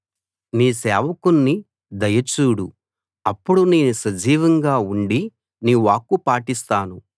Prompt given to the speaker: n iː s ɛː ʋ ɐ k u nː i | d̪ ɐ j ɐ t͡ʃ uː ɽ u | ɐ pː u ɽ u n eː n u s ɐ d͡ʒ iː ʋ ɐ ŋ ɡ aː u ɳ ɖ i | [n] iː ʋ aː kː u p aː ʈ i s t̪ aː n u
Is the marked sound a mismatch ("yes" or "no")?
no